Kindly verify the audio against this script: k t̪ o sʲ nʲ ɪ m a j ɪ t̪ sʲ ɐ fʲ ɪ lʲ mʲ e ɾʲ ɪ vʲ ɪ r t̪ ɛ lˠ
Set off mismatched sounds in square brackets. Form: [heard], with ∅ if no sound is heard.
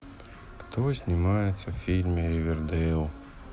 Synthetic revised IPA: k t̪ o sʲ nʲ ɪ m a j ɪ t̪ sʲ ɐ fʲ [i] lʲ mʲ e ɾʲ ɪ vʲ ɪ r [d̪] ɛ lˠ